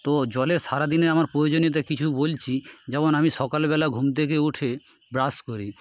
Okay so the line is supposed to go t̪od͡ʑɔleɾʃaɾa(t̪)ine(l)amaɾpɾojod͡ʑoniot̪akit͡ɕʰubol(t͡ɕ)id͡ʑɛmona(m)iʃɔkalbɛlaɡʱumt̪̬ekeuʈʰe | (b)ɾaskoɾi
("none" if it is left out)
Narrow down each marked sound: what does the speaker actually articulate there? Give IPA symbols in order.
d̪, ɾ, t͡ɕʰ, m, b

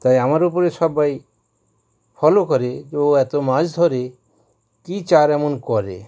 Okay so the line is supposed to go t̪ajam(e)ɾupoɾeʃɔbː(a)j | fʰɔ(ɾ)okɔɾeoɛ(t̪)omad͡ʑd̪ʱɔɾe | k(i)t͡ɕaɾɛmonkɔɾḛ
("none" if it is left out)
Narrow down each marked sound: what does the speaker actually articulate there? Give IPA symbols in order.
a, a, l, t̪, i

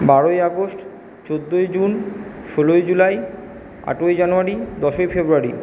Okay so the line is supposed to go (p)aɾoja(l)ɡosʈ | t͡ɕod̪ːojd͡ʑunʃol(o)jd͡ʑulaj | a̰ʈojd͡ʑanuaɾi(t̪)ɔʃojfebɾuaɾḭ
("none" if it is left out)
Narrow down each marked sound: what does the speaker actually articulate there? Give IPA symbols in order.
b, none, o, d̪

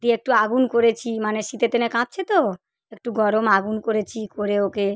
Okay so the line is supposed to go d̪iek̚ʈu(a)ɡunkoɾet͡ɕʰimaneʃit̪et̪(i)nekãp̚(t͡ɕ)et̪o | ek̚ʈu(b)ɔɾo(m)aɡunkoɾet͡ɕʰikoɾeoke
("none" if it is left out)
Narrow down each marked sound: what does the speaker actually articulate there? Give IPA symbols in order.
a, e, t͡ɕʰ, ɡ, m

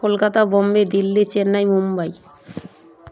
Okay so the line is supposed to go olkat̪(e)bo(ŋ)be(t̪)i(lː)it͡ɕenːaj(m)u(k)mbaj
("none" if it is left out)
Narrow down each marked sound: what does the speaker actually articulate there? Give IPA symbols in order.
a, m, d̪, lː, m, none

